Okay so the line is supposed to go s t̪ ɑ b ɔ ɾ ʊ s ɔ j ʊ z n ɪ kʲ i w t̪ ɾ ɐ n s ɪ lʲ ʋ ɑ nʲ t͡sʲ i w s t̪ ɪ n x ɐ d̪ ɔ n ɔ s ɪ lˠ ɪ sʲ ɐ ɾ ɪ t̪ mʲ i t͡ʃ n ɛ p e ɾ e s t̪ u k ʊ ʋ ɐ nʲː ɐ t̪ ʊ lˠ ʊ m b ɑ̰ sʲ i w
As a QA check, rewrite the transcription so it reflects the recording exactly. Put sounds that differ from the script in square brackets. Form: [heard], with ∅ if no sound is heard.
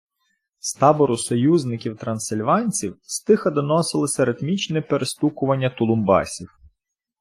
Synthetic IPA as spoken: s t̪ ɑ b ɔ ɾ ʊ s ɔ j [u] z n ɪ kʲ i w t̪ ɾ ɐ n s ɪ lʲ ʋ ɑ nʲ t͡sʲ i w s t̪ ɪ [∅] x ɐ d̪ ɔ n ɔ s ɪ lˠ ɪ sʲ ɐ ɾ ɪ t̪ mʲ i t͡ʃ n ɛ p e ɾ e s t̪ u k ʊ ʋ ɐ nʲː ɐ t̪ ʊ lˠ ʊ m b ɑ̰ sʲ i w